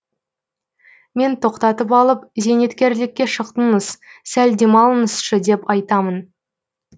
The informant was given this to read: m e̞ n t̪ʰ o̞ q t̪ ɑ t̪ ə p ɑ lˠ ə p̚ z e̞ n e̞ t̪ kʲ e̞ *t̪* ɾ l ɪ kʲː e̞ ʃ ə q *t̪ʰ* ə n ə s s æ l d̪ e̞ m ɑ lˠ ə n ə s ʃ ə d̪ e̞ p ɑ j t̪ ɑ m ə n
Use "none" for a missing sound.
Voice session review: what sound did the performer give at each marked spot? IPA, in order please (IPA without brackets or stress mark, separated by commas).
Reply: none, t̪